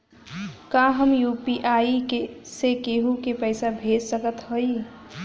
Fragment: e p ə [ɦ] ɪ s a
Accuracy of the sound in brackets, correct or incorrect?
incorrect